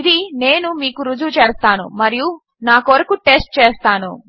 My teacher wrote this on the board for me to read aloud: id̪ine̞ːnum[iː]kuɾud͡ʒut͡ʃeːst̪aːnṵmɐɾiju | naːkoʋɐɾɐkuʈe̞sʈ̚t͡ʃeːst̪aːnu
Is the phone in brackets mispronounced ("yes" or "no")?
no